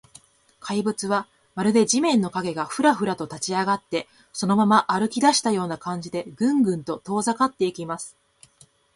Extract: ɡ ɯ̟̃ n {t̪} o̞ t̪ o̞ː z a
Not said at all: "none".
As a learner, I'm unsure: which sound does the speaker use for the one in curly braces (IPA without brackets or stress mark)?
t̪